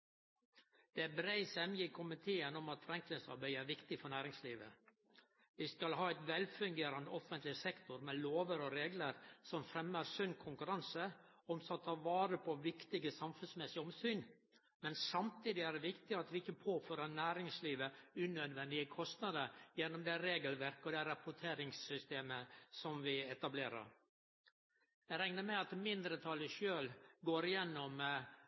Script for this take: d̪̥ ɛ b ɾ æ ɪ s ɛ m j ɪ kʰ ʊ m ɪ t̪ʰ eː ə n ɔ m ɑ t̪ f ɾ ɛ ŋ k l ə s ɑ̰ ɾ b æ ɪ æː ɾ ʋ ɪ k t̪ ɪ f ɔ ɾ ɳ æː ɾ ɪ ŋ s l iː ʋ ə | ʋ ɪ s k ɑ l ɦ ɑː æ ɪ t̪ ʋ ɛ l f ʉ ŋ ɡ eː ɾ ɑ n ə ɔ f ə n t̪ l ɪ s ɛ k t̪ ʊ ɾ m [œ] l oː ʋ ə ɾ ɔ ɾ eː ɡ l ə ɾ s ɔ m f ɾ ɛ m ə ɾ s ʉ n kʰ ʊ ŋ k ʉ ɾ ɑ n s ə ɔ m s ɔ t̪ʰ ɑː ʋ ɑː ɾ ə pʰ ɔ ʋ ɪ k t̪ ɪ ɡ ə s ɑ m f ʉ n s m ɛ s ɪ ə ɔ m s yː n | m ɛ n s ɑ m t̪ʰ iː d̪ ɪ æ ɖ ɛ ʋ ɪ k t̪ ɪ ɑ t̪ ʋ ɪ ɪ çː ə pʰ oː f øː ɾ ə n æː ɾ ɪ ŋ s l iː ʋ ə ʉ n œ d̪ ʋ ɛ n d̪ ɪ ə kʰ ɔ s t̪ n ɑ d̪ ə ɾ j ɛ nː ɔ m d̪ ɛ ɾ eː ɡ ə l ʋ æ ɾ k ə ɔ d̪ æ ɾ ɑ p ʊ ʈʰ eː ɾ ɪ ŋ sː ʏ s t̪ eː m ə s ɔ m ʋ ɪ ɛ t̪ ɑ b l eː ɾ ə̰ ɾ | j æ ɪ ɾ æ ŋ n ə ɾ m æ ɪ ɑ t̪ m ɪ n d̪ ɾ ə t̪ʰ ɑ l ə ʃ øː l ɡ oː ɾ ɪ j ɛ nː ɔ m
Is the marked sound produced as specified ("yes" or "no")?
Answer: no